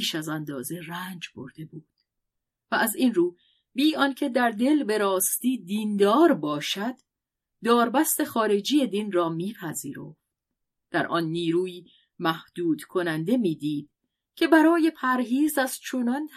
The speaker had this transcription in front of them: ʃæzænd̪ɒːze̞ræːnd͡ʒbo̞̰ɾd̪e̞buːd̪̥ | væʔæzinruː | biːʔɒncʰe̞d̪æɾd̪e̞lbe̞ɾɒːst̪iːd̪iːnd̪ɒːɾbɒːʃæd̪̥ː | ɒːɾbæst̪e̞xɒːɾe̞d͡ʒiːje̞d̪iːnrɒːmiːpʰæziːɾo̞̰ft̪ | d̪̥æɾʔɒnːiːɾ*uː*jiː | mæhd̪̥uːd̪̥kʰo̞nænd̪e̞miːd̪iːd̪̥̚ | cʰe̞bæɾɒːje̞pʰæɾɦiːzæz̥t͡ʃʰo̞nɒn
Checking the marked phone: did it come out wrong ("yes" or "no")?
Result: no